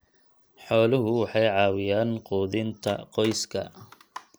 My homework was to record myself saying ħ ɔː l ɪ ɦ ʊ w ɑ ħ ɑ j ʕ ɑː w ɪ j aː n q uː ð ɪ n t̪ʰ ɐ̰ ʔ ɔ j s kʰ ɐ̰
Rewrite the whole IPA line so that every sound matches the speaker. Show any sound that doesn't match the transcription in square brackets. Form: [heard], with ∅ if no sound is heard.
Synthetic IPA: ħ ɔː l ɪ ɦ ʊ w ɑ ħ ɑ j ʕ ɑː w ɪ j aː n q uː ð ɪ n t̪ʰ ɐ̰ [q] ɔ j s kʰ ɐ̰